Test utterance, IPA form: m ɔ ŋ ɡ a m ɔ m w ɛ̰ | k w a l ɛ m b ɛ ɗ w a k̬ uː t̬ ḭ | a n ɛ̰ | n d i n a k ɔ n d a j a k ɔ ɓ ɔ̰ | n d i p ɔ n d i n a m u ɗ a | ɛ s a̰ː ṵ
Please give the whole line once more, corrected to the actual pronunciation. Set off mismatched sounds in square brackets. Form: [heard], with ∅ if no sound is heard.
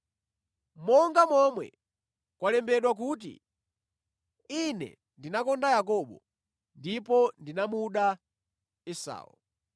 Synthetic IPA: m ɔ ŋ ɡ a m ɔ m w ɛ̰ | k w a l ɛ m b ɛ ɗ w a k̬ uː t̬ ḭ | [i] n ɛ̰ | n d i n a k ɔ n d a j a k ɔ ɓ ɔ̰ | n d i p ɔ n d i n a m u ɗ a | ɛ s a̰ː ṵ